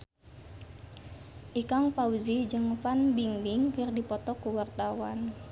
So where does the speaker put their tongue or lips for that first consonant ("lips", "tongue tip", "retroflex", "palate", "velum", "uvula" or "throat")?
throat